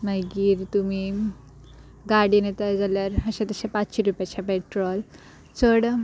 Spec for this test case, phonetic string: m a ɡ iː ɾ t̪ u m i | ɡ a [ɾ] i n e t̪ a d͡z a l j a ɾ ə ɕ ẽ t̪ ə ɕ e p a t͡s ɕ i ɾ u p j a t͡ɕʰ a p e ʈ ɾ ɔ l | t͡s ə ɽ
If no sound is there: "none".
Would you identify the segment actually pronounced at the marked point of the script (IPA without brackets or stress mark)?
ɽ